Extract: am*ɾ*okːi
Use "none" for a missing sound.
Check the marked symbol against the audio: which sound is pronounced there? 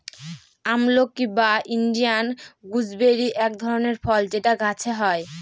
l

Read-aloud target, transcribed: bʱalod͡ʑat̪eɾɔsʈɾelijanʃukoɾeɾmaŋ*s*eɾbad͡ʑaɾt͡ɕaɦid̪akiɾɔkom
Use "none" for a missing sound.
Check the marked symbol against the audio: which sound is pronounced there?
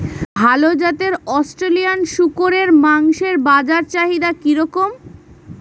ʃ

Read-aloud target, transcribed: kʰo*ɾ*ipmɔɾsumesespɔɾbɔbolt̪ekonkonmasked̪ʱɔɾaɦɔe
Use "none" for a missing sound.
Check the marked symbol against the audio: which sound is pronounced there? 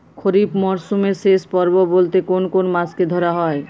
ɾ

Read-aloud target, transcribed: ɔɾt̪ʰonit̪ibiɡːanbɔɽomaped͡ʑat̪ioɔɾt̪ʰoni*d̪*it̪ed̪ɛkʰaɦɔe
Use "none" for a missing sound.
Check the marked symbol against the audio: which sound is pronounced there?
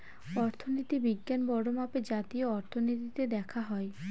t̪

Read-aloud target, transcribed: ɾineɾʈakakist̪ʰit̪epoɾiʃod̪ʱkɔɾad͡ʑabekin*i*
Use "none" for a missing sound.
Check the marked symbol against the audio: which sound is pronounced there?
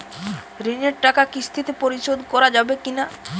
a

